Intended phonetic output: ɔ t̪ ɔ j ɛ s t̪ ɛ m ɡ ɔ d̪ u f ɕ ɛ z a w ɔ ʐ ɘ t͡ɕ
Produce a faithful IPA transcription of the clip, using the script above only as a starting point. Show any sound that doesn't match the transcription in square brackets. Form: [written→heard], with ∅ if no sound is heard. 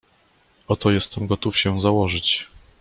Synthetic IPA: ɔ t̪ ɔ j ɛ s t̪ ɛ m ɡ ɔ [d̪→t̪] u f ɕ ɛ z a w ɔ ʐ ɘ t͡ɕ